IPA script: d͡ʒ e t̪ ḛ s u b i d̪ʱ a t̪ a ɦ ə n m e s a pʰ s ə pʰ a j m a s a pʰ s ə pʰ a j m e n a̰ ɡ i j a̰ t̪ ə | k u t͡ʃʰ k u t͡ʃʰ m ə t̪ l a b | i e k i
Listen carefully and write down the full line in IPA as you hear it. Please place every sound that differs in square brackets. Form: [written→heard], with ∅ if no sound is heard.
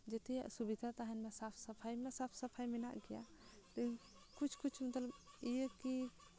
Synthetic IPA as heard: d͡ʒ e t̪ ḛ s u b i d̪ʱ a t̪ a ɦ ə n m e s a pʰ s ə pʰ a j m [a→e] s a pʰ s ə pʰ a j m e n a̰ ɡ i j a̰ t̪ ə | k u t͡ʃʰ k u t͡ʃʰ m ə t̪ l [a→ə] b | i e k i